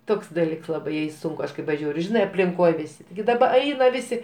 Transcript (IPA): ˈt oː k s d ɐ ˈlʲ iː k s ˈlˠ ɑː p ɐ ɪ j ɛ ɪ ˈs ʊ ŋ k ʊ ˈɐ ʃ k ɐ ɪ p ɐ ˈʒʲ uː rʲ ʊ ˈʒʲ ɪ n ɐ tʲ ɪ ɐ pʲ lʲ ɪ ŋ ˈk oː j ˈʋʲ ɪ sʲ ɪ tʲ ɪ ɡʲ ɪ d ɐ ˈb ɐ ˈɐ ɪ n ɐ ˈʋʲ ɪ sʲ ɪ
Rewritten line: ˈt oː k s d ɐ ˈlʲ iː k s ˈlˠ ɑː b ɐ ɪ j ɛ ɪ ˈs ʊ ŋ k ʊ ˈɐ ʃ k ɐ ɪ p ɐ ˈʒʲ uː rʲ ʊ ˈʒʲ ɪ n ɐ ɪ ɐ pʲ lʲ ɪ ŋ ˈk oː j ˈʋʲ ɪ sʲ ɪ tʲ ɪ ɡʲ ɪ d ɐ ˈb ɐ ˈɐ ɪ n ɐ ˈʋʲ ɪ sʲ ɪ